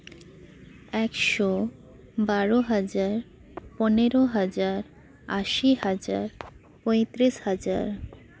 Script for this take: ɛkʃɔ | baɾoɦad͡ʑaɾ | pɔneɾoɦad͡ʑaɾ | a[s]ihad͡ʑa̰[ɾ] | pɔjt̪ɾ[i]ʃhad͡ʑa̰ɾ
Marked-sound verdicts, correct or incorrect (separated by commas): incorrect, correct, correct